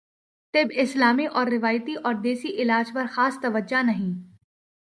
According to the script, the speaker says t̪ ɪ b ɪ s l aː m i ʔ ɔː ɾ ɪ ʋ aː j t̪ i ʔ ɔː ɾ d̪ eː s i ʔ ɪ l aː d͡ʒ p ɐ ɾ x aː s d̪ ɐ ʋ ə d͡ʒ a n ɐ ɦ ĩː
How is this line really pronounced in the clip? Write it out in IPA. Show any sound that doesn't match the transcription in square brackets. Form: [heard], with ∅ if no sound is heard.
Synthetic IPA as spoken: t̪ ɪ b ɪ s l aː m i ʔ ɔː [ɾː] ɪ ʋ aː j t̪ i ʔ ɔː ɾ d̪ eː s i ʔ ɪ l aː d͡ʒ p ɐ ɾ x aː s [t̪] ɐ ʋ ə d͡ʒ a n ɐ ɦ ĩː